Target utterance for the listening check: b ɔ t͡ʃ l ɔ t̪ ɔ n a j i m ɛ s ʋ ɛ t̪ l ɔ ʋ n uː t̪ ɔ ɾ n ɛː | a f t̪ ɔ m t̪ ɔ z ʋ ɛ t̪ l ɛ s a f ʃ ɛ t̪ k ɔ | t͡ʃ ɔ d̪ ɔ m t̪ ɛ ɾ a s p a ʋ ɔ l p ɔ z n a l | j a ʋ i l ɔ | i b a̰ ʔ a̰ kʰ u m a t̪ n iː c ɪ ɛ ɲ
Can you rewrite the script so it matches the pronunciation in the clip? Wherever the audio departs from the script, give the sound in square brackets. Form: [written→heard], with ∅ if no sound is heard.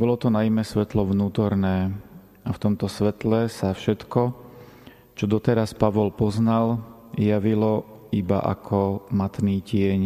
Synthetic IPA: b ɔ [t͡ʃ→∅] l ɔ t̪ ɔ n a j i m ɛ s ʋ ɛ t̪ l ɔ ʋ n uː t̪ ɔ ɾ n ɛː | a f t̪ ɔ m t̪ ɔ [z→s] ʋ ɛ t̪ l ɛ s a f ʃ ɛ t̪ k ɔ | t͡ʃ ɔ d̪ ɔ [m→∅] t̪ ɛ ɾ a s p a ʋ ɔ l p ɔ z n a l | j a ʋ i l ɔ | i b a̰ ʔ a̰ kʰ [u→ɔ] m a t̪ n iː c ɪ ɛ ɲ